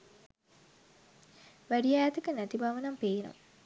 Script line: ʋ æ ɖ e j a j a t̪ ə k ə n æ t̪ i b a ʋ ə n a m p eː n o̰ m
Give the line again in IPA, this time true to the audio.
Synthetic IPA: ʋ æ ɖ i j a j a t̪ ə k ə n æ t̪ i b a ʋ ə n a m p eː n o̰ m